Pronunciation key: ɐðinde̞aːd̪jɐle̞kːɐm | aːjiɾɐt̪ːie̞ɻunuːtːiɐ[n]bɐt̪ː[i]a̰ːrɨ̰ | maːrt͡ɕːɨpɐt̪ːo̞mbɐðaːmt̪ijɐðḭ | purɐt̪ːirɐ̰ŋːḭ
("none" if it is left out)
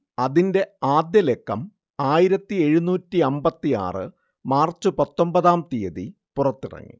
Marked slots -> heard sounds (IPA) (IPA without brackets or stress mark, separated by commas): m, i